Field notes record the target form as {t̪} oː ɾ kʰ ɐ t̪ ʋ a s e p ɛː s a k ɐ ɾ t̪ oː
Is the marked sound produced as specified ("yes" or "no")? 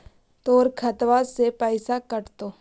yes